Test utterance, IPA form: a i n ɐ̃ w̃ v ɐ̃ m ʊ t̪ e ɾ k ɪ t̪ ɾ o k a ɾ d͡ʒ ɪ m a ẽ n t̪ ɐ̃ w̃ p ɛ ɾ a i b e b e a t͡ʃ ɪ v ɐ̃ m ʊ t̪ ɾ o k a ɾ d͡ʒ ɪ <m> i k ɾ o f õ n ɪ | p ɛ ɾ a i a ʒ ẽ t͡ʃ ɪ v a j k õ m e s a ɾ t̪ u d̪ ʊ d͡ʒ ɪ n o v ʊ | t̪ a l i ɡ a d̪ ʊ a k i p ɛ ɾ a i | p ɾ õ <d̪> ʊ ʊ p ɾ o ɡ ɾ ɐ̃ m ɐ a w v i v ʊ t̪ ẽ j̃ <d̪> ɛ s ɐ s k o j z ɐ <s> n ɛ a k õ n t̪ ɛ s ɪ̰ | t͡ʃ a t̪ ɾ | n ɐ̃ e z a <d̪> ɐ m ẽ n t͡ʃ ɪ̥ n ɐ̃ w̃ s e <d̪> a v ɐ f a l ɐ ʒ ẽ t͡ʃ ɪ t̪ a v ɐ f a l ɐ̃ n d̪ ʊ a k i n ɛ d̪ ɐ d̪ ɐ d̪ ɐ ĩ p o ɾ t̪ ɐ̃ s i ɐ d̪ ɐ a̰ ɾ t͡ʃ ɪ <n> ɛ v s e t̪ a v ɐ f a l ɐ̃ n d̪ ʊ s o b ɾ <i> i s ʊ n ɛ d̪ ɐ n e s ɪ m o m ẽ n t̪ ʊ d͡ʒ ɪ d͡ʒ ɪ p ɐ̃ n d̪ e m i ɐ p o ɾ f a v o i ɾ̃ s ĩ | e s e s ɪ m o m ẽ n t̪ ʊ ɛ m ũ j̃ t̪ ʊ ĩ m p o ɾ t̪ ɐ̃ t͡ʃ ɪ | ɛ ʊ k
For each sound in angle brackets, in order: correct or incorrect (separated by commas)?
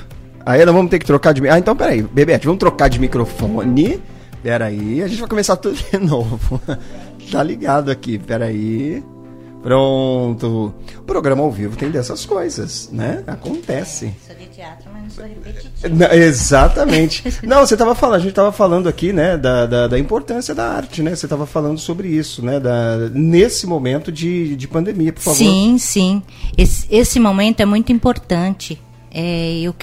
correct, incorrect, correct, correct, incorrect, incorrect, correct, incorrect